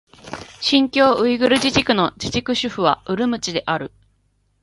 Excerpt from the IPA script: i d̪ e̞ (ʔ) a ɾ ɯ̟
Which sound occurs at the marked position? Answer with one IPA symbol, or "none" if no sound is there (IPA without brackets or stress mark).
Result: ʔ